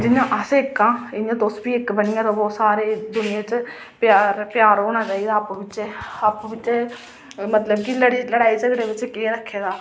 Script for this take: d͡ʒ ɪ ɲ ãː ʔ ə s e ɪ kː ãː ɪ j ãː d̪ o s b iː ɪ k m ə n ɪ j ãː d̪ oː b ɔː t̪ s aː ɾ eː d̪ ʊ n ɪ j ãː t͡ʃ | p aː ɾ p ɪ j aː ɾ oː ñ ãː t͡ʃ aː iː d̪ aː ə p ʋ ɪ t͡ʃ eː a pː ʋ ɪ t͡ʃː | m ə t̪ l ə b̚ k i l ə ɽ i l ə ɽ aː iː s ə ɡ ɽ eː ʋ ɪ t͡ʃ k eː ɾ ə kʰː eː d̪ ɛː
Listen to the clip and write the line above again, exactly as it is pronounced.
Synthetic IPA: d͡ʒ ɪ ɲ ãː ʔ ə s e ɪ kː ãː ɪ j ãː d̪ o s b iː ɪ k b ə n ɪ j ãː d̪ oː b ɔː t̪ s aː ɾ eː d̪ ʊ n ɪ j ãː t͡ʃ | p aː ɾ p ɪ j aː ɾ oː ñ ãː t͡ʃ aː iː d̪ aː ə p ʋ ɪ t͡ʃ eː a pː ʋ ɪ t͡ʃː | m ə t̪ l ə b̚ k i l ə ɽ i l ə ɽ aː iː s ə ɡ ɽ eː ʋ ɪ t͡ʃ k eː ɾ ə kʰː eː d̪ aː